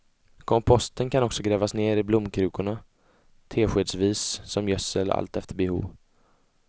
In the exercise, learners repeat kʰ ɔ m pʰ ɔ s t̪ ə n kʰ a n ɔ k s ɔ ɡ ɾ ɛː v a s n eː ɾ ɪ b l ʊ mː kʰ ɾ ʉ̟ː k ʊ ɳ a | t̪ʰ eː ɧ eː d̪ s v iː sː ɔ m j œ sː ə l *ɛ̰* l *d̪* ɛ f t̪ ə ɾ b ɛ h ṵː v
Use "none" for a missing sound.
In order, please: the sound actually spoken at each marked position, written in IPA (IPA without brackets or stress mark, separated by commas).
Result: a̰, t̪